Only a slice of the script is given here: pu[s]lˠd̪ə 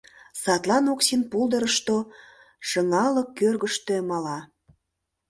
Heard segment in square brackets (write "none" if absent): none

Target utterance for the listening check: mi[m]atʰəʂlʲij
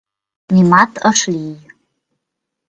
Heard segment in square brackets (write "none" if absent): m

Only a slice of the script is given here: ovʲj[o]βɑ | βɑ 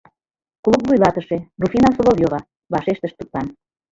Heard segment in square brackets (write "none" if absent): o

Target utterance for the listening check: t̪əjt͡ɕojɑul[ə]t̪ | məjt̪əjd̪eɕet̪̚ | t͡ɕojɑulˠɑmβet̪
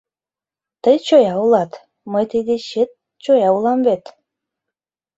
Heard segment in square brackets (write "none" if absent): ɑ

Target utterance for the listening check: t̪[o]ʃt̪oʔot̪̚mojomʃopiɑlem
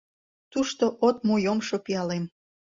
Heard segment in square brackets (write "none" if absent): u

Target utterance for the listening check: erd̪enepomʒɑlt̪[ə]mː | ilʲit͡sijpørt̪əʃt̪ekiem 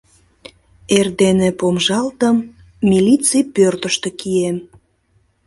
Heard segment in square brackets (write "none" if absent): ə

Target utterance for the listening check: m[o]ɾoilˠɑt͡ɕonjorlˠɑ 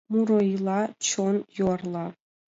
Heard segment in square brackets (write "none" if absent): u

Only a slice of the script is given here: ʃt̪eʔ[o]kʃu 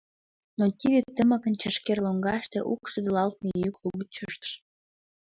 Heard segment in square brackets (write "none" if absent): u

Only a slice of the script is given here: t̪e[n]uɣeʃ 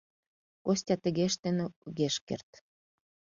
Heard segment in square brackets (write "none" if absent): n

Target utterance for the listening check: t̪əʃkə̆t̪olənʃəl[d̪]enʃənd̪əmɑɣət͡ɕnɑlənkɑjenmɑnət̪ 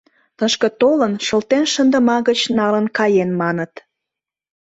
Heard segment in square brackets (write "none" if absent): t̪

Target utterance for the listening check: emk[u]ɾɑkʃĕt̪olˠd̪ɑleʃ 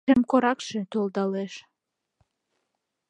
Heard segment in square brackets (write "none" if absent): o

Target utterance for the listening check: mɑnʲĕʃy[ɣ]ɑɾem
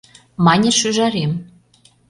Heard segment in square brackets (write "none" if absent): ʒ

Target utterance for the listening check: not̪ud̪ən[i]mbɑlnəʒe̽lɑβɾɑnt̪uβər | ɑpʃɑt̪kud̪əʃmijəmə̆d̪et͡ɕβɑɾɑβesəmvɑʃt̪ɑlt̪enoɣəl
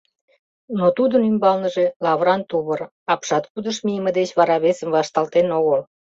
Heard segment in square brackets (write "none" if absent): y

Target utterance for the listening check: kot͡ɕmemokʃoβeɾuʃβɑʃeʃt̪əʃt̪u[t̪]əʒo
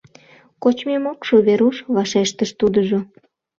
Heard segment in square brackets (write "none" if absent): d̪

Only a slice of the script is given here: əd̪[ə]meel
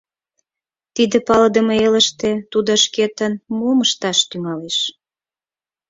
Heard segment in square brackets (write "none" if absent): ə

